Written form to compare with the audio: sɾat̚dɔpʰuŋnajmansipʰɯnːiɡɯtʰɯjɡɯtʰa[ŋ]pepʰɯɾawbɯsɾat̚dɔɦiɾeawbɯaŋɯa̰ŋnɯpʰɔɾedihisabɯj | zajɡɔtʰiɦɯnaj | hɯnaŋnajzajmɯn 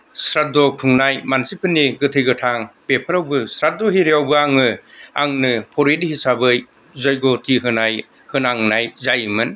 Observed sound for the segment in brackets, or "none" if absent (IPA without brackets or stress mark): ŋ